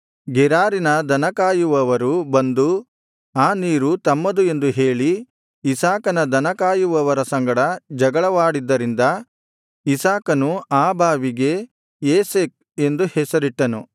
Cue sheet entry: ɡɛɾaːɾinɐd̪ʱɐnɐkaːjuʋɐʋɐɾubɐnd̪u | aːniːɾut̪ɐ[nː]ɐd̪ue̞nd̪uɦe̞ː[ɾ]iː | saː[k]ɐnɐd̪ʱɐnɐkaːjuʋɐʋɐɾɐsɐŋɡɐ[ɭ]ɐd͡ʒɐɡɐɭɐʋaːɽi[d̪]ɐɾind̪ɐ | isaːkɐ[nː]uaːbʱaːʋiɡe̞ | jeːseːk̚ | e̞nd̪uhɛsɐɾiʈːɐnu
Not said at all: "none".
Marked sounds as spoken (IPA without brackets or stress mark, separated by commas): mː, ɭ, k, ɽ, d̪ː, n